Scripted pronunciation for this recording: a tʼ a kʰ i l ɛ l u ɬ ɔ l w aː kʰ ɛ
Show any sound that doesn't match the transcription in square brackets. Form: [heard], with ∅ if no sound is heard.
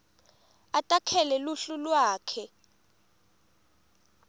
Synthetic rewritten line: a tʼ a kʰ [ɛ] l ɛ l u ɬ [u] l w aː kʰ ɛ